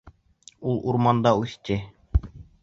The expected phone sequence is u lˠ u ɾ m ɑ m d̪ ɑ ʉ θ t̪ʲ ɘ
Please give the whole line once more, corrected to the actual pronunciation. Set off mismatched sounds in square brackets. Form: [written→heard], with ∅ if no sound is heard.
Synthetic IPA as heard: u lˠ u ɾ m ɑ [m→n] d̪ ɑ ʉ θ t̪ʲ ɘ